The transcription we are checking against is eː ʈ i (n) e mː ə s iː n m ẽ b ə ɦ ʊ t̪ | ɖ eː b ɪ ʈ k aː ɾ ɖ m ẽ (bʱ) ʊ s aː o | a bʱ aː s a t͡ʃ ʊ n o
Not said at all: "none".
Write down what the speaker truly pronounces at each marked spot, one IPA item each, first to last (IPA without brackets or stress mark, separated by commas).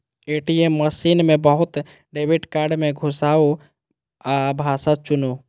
none, ɡʱ